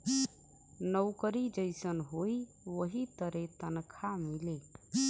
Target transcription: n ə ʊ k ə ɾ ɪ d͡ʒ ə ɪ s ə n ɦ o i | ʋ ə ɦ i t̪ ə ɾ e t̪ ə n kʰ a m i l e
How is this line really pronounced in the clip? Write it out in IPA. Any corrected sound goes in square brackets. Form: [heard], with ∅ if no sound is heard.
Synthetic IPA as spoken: n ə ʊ k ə ɾ [i] d͡ʒ ə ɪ s ə n ɦ o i | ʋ ə ɦ i t̪ ə ɾ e t̪ ə n kʰ a m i l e